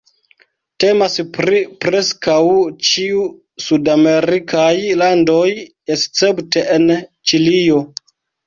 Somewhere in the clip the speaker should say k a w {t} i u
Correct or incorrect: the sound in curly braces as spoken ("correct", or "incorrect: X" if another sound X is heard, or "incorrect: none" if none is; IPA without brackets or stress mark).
incorrect: t͡ʃ